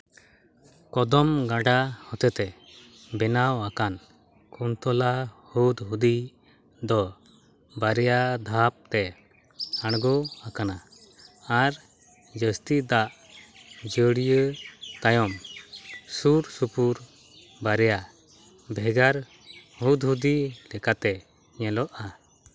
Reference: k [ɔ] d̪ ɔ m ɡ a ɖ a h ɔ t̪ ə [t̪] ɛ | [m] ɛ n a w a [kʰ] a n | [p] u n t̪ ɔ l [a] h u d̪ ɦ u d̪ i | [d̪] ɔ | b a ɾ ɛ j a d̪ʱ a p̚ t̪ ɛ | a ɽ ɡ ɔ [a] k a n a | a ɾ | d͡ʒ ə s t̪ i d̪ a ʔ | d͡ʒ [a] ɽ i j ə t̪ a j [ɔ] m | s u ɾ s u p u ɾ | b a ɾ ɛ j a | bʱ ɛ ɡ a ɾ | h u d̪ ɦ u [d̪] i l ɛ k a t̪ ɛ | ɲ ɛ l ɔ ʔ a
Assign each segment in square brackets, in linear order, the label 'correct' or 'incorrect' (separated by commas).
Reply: correct, correct, incorrect, incorrect, incorrect, correct, correct, correct, incorrect, correct, correct